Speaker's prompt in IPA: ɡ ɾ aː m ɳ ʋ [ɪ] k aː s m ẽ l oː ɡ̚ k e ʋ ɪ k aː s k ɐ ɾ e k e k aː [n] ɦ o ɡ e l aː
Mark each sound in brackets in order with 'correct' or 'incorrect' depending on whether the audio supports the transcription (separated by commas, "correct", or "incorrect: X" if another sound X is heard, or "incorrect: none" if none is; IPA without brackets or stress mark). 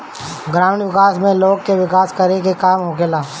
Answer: correct, incorrect: m